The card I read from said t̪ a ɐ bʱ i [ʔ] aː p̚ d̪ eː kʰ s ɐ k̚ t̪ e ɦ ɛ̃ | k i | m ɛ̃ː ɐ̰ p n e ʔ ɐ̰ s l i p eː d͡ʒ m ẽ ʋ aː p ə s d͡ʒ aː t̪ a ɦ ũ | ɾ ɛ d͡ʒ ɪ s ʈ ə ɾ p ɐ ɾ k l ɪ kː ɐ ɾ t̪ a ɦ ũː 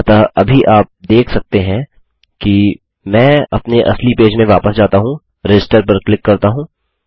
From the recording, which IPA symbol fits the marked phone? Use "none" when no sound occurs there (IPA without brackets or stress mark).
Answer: ʔ